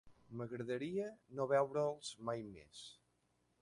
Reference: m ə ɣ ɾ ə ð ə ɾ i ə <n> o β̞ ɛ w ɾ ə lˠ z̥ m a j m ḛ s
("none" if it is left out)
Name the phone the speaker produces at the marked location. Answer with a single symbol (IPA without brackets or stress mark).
n